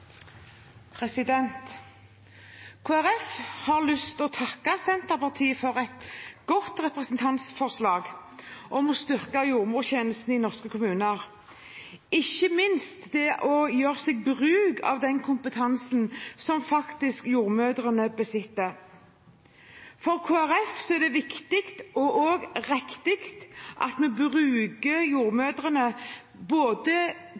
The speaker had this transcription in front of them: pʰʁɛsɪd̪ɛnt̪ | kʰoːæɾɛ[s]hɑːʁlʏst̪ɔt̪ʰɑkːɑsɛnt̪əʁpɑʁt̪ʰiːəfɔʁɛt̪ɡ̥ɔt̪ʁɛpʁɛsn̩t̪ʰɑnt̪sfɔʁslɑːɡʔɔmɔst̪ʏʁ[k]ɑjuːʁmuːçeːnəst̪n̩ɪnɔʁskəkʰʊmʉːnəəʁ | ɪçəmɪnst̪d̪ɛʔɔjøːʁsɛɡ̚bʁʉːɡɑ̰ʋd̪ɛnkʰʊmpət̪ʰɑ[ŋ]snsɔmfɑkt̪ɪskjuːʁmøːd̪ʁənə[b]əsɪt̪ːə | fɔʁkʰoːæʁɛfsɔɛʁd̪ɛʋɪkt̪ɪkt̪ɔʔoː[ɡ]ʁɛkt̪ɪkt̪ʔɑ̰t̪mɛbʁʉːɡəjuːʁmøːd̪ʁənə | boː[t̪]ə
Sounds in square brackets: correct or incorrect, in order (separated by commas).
incorrect, correct, incorrect, correct, correct, incorrect